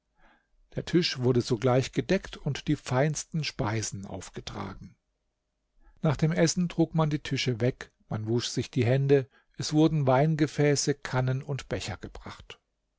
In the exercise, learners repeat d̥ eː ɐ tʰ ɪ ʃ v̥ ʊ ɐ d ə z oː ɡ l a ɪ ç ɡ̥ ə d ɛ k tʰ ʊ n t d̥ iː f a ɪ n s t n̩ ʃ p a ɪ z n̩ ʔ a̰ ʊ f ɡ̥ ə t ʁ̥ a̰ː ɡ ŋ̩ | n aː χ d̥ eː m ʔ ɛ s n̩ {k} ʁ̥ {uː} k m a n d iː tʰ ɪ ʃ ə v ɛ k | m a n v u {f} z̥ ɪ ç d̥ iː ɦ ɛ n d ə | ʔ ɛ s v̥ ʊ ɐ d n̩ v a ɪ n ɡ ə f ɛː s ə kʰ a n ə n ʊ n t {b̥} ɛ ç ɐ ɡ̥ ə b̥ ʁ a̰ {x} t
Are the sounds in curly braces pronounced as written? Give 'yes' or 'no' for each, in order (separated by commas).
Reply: no, yes, no, yes, no